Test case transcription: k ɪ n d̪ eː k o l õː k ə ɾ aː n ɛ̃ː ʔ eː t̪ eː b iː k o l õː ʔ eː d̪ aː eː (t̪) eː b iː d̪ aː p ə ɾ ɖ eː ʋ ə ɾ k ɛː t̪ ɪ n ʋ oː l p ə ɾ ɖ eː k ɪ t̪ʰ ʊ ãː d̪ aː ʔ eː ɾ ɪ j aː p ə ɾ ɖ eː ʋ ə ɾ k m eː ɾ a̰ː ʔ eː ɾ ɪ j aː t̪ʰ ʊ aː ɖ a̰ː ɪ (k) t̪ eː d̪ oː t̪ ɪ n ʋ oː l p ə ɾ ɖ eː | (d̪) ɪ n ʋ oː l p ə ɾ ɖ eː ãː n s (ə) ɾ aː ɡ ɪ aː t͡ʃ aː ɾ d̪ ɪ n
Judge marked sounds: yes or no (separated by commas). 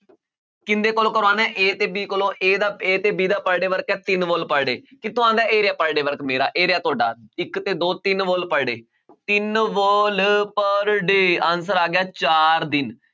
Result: yes, yes, no, yes